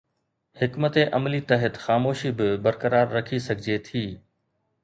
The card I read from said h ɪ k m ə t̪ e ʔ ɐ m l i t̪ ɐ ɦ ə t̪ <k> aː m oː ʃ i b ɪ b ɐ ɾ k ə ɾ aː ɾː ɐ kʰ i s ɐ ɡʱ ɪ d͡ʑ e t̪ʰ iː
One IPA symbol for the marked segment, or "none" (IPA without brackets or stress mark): x